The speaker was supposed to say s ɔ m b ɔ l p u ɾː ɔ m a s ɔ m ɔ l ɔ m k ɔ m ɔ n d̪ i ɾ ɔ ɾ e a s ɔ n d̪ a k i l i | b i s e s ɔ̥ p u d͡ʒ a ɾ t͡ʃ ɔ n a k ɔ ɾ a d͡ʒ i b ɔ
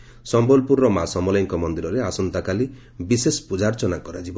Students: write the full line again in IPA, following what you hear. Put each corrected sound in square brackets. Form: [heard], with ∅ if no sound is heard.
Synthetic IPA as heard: s ɔ m b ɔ l p u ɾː ɔ m a s ɔ m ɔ l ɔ [ŋ] k ɔ m ɔ n d̪ i ɾ ɔ ɾ e a s ɔ n [t̪] a k [a] l i | b i s e s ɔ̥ p u d͡ʒ a ɾ t͡ʃ ɔ n a k ɔ ɾ a d͡ʒ i b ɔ

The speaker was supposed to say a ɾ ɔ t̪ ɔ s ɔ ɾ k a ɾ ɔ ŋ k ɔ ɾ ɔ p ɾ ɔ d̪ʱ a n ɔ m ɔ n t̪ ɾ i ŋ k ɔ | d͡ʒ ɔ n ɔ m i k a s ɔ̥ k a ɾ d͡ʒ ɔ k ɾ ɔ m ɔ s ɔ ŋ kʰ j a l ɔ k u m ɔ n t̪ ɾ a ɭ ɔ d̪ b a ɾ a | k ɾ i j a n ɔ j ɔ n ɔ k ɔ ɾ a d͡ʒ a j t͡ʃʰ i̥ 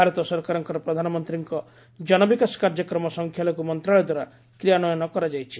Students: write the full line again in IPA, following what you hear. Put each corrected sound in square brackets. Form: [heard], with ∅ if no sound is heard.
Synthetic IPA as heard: a ɾ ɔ t̪ ɔ s ɔ ɾ k a ɾ ɔ ŋ k ɔ ɾ ɔ p ɾ ɔ d̪ʱ a n ɔ m ɔ n t̪ ɾ i ŋ k ɔ | d͡ʒ ɔ n ɔ [b] i k a s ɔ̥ k a ɾ d͡ʒ ɔ k ɾ ɔ m ɔ s ɔ ŋ kʰ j a l ɔ k u m ɔ n t̪ ɾ a ɭ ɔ d̪ [w] a ɾ a | k ɾ i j a n ɔ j ɔ n ɔ k ɔ ɾ a d͡ʒ a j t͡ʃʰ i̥

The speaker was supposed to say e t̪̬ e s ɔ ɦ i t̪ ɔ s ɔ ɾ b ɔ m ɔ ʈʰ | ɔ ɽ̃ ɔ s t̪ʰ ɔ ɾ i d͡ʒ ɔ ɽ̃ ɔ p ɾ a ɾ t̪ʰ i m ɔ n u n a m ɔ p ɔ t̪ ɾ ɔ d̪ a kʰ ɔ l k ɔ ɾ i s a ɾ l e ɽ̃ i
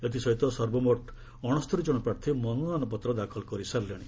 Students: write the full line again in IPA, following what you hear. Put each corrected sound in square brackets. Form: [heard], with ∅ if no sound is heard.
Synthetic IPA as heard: e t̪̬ [i] s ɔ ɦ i t̪ ɔ s ɔ ɾ b ɔ m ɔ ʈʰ | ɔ ɽ̃ ɔ s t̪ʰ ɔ ɾ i d͡ʒ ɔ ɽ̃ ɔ p ɾ a ɾ t̪ʰ i m ɔ n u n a [n] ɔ p ɔ t̪ ɾ ɔ d̪ a kʰ ɔ l k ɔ ɾ i s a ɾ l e ɽ̃ i

